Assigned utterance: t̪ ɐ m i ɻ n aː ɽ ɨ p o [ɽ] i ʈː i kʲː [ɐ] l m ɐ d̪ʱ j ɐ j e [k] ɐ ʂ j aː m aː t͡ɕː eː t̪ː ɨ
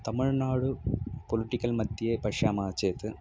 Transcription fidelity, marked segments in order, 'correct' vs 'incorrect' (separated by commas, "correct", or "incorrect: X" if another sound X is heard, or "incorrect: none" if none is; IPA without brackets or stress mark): incorrect: l, correct, incorrect: p